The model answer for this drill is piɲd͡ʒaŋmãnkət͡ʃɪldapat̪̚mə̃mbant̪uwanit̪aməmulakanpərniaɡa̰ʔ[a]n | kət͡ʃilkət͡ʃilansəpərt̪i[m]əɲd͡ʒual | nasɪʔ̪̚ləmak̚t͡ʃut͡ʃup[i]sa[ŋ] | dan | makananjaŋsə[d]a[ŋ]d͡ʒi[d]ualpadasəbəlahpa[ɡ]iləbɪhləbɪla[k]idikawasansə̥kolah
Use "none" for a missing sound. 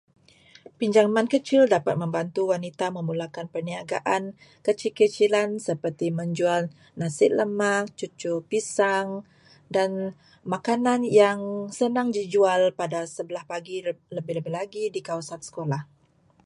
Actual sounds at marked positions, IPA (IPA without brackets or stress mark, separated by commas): a, m, i, ŋ, n, ŋ, d͡ʒ, ɡ, ɡ